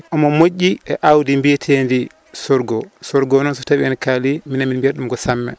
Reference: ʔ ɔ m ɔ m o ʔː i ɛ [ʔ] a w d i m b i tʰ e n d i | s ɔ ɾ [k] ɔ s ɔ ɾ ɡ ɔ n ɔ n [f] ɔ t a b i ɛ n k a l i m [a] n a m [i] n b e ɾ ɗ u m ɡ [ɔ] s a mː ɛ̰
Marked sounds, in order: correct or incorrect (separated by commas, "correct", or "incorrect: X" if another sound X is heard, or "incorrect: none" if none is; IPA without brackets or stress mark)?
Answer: correct, incorrect: ɡ, incorrect: s, incorrect: i, correct, correct